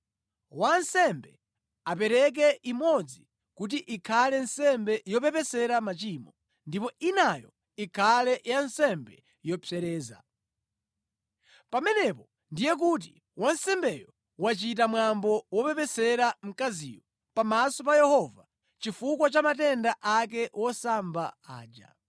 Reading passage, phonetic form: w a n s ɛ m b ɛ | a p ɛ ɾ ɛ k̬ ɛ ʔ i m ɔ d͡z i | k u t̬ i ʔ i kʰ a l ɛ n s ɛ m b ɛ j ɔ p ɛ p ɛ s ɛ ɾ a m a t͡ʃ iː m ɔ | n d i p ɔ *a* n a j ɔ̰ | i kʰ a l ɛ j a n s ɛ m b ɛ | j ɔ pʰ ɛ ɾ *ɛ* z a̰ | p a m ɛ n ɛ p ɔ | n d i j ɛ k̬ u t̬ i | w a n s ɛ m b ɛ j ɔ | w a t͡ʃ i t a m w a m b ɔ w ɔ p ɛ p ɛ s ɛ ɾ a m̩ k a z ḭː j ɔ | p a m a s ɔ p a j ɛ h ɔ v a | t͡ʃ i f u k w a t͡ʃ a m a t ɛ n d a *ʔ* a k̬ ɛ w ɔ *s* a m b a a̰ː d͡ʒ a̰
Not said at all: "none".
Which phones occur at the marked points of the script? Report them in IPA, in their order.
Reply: i, ɛː, ʔ, s

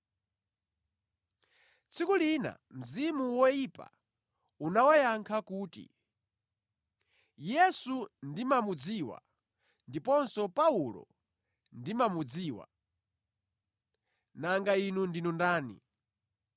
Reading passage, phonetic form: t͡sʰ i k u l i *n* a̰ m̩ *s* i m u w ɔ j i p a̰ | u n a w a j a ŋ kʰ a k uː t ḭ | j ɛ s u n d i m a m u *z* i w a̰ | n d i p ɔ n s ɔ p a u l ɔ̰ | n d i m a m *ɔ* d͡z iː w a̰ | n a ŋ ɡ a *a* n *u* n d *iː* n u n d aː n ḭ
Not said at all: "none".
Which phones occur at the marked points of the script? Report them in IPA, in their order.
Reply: n, z, d͡z, u, i, u, i

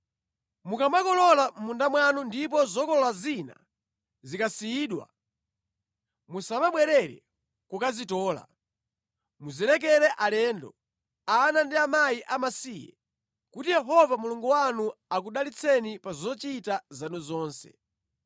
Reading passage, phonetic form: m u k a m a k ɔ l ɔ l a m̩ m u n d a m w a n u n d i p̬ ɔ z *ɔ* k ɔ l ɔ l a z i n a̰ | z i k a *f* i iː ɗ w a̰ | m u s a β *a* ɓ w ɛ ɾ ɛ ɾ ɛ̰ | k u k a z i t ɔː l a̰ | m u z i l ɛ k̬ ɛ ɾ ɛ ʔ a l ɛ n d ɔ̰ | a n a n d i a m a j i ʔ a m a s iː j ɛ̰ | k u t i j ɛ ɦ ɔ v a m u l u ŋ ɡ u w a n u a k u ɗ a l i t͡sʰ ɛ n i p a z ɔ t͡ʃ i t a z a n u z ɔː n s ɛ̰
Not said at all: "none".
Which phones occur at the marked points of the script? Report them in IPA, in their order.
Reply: ɔ, s, a

